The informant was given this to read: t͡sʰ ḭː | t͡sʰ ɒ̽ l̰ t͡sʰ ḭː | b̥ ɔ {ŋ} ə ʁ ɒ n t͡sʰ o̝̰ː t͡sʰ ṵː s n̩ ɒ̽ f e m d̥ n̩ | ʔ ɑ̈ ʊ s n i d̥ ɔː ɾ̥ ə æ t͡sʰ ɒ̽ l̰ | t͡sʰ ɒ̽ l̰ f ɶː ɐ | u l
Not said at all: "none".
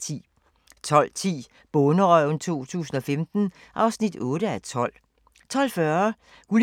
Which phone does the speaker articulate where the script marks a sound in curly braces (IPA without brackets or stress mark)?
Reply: n